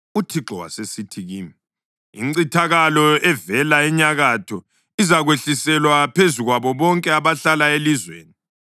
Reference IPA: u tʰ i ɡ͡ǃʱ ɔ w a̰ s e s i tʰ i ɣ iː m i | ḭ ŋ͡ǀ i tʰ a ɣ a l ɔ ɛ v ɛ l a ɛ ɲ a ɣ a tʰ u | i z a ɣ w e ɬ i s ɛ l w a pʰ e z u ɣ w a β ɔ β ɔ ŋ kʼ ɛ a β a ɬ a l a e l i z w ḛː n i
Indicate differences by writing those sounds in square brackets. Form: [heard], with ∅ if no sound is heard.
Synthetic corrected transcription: u tʰ i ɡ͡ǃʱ ɔ w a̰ s e s i tʰ i ɣ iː m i | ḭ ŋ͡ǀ i tʰ a ɣ a l ɔ ɛ v ɛ l a ɛ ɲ a ɣ a tʰ [ɔ] | i z a ɣ w e ɬ i s ɛ l w a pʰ e z u ɣ w a β ɔ β ɔ ŋ kʼ ɛ a β a ɬ a l a e l i z w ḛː n i